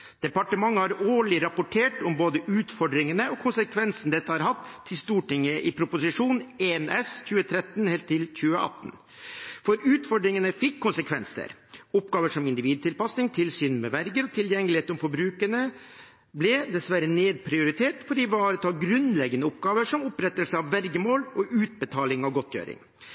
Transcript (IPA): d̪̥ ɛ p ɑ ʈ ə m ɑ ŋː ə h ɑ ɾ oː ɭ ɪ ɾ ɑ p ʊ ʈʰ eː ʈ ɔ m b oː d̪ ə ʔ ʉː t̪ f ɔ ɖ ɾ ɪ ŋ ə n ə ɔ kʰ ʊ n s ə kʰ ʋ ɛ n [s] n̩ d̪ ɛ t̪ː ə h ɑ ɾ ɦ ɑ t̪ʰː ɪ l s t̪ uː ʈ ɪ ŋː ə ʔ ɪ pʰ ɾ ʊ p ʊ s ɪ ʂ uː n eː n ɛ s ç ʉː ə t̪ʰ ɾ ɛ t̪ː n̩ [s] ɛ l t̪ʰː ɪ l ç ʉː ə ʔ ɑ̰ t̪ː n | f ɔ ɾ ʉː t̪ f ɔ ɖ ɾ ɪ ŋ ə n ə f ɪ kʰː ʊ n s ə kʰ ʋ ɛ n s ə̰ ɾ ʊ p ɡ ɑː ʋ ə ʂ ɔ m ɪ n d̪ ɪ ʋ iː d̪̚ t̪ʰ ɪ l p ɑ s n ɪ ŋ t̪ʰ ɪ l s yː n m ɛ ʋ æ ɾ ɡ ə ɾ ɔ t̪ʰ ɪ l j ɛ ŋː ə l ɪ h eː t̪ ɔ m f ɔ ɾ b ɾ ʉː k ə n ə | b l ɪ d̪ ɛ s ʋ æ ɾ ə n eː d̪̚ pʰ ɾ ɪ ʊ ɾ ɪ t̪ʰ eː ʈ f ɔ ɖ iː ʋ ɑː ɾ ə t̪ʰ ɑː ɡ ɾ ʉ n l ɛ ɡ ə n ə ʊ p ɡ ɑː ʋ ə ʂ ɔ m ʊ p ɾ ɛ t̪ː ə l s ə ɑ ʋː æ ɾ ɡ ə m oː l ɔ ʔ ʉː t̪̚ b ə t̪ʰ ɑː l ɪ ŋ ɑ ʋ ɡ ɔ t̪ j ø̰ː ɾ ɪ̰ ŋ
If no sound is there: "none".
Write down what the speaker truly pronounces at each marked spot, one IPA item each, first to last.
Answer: s, h

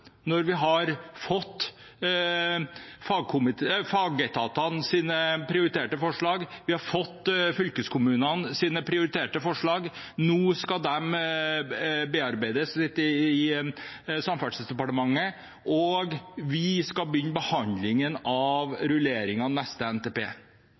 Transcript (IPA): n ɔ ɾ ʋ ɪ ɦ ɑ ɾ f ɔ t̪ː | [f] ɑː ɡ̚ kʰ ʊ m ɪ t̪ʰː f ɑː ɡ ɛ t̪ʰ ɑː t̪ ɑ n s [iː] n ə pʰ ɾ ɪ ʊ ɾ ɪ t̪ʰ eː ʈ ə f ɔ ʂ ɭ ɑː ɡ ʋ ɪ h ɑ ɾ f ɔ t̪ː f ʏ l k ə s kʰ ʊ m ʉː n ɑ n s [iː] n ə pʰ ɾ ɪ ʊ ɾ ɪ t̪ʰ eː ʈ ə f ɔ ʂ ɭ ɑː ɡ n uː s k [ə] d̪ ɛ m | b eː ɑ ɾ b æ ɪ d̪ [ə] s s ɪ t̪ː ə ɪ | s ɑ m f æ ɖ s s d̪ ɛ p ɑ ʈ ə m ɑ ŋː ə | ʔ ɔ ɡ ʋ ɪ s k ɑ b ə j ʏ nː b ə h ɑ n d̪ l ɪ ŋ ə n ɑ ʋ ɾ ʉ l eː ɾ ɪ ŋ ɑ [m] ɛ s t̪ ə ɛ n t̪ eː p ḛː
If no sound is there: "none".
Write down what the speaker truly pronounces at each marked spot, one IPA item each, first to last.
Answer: f, iː, iː, ɑ, ə, n

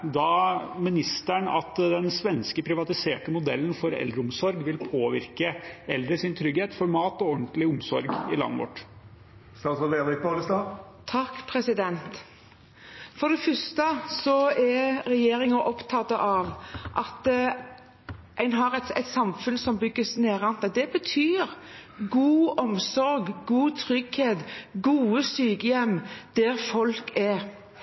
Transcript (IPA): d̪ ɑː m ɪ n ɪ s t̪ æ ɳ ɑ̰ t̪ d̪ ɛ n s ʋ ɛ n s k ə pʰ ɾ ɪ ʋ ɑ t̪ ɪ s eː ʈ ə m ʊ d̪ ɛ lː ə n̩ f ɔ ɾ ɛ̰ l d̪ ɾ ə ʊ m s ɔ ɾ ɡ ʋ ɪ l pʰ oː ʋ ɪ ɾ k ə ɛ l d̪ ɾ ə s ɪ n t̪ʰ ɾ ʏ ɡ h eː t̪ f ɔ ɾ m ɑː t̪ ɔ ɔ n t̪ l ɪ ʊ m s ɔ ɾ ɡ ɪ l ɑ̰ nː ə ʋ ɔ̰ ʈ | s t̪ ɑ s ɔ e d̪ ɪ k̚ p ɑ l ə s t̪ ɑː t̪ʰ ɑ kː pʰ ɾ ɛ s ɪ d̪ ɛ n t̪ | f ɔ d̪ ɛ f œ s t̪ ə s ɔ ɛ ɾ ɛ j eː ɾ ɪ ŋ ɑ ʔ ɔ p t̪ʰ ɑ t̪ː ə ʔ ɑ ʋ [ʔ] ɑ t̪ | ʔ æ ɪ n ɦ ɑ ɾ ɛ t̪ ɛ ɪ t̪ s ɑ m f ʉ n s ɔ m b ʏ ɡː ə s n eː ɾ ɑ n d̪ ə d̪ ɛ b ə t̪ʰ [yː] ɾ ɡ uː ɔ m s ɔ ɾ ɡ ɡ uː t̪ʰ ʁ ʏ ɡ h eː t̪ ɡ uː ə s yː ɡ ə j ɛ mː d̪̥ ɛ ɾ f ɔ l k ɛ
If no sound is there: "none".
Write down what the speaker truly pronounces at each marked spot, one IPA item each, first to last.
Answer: ʔ, yː

